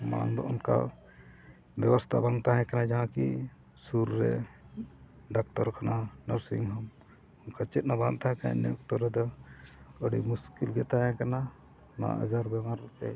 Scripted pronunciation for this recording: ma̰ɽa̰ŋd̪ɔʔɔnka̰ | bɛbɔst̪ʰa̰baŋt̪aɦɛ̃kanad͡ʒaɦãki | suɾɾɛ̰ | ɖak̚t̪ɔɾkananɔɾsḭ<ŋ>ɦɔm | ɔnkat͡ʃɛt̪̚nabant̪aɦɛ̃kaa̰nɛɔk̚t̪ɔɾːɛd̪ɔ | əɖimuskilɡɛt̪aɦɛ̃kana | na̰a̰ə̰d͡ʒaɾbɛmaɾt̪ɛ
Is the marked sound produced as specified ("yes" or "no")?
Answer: yes